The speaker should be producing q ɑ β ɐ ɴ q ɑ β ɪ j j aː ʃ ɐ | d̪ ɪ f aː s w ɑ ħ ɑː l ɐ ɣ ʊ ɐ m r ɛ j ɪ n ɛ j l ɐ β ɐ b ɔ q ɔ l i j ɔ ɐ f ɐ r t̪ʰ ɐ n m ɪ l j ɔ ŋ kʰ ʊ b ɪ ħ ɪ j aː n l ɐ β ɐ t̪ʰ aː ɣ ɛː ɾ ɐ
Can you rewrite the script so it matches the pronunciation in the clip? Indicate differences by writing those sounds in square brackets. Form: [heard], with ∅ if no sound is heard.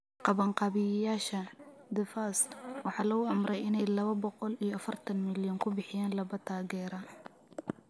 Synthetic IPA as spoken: q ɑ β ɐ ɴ q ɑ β ɪ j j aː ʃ ɐ | d̪ ɪ f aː s w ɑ ħ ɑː l ɐ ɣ ʊ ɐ m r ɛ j ɪ n ɛ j l ɐ β ɐ b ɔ q ɔ l i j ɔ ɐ f ɐ r t̪ʰ ɐ n m ɪ l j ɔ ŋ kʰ ʊ b ɪ ħ ɪ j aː n l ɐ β ɐ t̪ʰ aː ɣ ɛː ɾ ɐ